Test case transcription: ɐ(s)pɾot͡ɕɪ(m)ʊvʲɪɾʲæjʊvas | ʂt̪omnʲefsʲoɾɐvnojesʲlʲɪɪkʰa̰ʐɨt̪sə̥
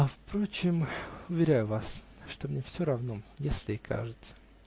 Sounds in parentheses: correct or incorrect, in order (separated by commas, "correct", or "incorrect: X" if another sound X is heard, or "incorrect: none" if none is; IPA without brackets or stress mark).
incorrect: f, correct